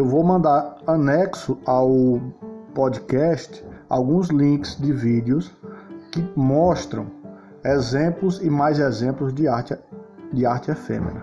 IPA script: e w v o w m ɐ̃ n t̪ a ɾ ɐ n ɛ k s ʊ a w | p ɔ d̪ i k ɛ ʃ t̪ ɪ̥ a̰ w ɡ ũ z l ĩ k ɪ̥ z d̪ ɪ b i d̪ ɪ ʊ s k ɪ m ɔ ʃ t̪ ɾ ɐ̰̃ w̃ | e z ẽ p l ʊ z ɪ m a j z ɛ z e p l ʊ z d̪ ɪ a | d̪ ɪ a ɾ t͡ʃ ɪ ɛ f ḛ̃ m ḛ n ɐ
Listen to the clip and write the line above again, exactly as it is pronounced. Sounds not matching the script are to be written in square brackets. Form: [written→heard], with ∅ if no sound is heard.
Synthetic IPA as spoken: e w v o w m ɐ̃ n [t̪→d̪] a ɾ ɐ n ɛ k s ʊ a w | p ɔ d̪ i k ɛ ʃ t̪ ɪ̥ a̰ w ɡ ũ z l ĩ k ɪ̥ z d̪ ɪ [b→v] i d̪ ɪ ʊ s k ɪ m ɔ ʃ t̪ ɾ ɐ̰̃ w̃ | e z ẽ p l ʊ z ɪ m a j z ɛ z [e→ẽ] p l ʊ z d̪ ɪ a | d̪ ɪ a ɾ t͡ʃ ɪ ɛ f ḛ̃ m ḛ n ɐ